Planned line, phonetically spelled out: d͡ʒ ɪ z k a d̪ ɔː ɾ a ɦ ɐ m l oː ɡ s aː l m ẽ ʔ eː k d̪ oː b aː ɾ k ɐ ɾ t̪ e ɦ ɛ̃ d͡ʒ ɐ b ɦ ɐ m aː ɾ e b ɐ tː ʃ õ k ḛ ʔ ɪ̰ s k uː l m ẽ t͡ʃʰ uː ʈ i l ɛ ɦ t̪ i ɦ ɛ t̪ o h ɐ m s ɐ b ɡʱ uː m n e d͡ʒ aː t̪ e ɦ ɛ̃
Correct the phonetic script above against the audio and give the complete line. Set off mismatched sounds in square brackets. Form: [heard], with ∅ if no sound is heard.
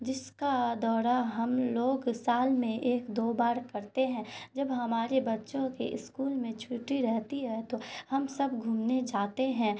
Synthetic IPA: d͡ʒ ɪ [s] k a d̪ ɔː ɾ a ɦ ɐ m l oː ɡ s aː l m ẽ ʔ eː k d̪ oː b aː ɾ k ɐ ɾ t̪ e ɦ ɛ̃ d͡ʒ ɐ b ɦ ɐ m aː ɾ e b ɐ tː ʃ õ k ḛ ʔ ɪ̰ s k uː l m ẽ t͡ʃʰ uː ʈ i [ɾ] ɛ ɦ t̪ i ɦ ɛ t̪ o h ɐ m s ɐ b ɡʱ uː m n e d͡ʒ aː t̪ e ɦ ɛ̃